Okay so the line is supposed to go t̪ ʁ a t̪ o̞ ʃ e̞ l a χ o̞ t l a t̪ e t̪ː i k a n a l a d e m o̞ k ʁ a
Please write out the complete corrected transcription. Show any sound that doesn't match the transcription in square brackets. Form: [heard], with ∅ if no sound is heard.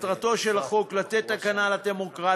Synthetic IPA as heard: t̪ ʁ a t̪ o̞ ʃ e̞ l a χ o̞ [k] l a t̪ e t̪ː [a] k a n a l a d e m o̞ k ʁ a

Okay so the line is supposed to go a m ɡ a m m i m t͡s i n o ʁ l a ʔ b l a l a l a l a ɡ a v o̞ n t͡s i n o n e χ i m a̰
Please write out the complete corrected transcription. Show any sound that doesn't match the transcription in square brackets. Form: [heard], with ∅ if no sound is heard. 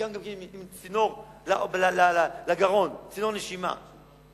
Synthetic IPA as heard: a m ɡ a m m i m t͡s i n o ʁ l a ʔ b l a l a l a l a ɡ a [ʁ] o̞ n t͡s i n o n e [ʃ] i m a̰

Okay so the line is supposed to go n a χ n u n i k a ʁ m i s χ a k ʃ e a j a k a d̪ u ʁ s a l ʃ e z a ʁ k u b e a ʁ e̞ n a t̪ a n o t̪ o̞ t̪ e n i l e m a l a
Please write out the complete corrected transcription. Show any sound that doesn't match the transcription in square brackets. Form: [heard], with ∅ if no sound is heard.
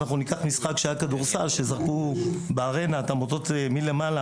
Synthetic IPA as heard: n a χ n u n i k a [χ] m i s χ a k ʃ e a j a k a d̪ u ʁ s a l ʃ e z a ʁ k u b e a ʁ e̞ n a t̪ a [m] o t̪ o̞ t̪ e [m] i l e m a l a

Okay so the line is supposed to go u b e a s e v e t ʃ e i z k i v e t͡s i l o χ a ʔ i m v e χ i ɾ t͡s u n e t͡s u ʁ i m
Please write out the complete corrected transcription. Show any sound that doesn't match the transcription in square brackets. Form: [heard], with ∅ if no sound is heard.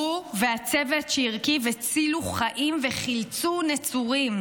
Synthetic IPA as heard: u [v] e a [t͡s] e v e t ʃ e i [ʁ] k i v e t͡s i l [u] χ a ʔ i m v e χ i [l] t͡s u n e t͡s u ʁ i m

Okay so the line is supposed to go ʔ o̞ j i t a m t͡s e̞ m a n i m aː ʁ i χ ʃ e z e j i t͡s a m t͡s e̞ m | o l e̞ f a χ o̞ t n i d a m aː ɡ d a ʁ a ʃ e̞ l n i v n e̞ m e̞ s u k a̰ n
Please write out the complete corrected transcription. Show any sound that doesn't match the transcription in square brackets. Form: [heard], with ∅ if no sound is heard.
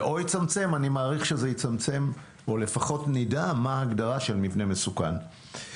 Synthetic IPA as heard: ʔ o̞ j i [t͡s] a m t͡s e̞ m a n i m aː ʁ i χ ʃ e z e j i t͡s a m t͡s e̞ m | o l e̞ f a χ o̞ t n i d a m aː ɡ d a ʁ a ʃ e̞ l [m] i v n e̞ m e̞ s u k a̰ n

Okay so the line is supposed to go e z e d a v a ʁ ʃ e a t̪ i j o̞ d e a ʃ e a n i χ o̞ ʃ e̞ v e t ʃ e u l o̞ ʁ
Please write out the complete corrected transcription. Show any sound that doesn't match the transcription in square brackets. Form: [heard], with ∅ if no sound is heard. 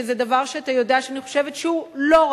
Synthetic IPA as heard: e z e d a v a ʁ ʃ e a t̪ [a] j o̞ d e a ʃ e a n i χ o̞ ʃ e̞ v e t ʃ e u l o̞ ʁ

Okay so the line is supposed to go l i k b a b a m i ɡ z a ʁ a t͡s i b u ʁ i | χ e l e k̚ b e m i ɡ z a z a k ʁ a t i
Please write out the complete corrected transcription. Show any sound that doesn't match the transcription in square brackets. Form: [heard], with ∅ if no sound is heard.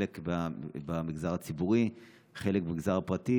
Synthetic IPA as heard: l [e] k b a b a m i ɡ z a ʁ a t͡s i b u ʁ i | χ e l e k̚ b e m i ɡ z a [ʁ] a [p] ʁ a t i

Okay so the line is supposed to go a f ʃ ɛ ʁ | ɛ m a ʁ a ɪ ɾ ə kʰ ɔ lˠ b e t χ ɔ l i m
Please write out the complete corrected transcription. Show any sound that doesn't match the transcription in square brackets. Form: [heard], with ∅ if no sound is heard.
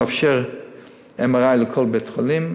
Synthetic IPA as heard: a f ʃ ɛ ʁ | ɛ m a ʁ a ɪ [l] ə kʰ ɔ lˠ b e t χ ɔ l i m

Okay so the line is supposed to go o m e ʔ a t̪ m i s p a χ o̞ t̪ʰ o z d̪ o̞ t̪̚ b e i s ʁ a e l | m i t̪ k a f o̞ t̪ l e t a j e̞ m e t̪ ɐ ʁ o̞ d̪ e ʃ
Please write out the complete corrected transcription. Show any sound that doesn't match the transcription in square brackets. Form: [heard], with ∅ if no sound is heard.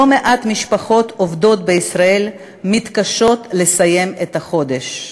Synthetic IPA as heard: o m e ʔ a t̪ m i [ʃ] p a χ o̞ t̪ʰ o [v] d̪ o̞ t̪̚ b e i s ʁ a e l | m i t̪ k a [ʃ] o̞ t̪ l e [s] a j e̞ m e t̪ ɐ [χ] o̞ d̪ e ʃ

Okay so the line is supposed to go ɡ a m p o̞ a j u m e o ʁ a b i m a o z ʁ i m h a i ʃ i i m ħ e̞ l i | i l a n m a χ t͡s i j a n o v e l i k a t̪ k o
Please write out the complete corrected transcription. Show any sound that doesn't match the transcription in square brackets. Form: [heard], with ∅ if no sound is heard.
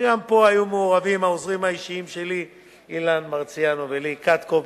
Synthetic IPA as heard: ɡ a m p o̞ a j u m e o ʁ a [v] i m a o z ʁ i m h a i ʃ i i m [ʃ] e̞ l i | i l a n m a [ʁ] t͡s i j a n o v e l i k a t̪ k o

